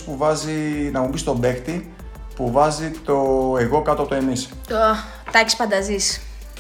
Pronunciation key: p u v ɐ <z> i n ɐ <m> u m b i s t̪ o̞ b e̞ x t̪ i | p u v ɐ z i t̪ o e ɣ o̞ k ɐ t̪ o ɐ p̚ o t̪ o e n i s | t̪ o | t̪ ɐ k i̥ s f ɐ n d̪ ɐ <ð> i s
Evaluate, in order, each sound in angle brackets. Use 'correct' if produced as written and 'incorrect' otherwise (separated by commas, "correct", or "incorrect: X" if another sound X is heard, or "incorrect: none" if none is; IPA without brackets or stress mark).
correct, correct, incorrect: z